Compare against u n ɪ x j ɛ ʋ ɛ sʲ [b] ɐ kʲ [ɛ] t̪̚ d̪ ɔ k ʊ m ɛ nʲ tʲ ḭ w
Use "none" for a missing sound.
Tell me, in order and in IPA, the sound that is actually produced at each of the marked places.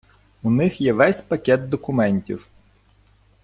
p, ɛ

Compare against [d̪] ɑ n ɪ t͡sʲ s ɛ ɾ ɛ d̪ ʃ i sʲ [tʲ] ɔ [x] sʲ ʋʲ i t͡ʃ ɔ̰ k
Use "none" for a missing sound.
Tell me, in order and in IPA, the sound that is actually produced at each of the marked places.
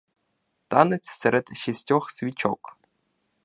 t̪, tʲ, x

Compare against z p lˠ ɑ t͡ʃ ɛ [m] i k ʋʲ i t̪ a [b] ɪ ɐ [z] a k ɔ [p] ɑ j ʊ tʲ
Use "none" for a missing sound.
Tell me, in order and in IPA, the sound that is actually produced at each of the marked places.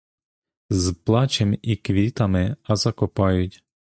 m, m, z, p

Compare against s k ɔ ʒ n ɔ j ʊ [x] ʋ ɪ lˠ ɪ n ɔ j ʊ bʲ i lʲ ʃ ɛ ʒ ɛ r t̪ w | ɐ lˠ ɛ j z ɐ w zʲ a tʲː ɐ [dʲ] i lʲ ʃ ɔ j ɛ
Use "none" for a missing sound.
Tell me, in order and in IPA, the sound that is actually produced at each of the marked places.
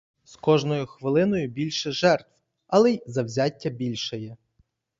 x, bʲ

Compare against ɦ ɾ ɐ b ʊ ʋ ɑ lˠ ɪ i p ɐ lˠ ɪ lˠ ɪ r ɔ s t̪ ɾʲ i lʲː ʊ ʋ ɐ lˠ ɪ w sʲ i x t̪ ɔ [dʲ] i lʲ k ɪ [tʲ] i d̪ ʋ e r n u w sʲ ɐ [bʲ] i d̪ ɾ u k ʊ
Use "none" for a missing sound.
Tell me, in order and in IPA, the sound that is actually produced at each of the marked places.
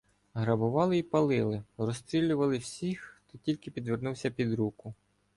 tʲ, pʲ, pʲ

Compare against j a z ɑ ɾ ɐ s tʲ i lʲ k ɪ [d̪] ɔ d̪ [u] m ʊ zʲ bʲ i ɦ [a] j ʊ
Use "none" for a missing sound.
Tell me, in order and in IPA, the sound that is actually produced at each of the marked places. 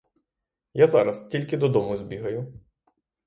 d̪, ɔ, ɐ

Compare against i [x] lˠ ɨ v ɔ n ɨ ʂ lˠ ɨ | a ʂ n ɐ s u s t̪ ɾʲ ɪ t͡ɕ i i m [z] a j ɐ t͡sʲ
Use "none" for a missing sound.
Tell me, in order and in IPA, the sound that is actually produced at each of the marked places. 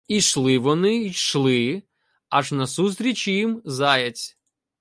ʂ, z

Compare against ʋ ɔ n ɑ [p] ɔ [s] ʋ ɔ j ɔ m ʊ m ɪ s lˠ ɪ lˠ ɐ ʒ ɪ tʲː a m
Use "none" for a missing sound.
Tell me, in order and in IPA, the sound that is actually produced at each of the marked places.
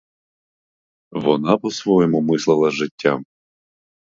p, s

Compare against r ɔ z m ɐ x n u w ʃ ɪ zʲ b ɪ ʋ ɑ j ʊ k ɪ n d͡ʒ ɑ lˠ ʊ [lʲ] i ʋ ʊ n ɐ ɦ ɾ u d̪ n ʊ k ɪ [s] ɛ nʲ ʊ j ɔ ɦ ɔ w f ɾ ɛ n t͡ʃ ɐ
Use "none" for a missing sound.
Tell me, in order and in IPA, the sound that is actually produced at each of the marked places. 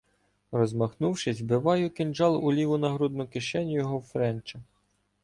lʲ, ʃ

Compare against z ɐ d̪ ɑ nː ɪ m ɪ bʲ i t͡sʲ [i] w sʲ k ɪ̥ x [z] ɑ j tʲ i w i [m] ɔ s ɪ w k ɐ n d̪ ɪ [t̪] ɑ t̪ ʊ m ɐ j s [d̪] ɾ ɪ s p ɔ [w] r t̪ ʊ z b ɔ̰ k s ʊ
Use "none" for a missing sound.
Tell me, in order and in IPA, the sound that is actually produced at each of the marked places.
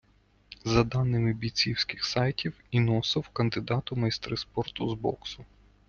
i, s, n, d̪, t̪, none

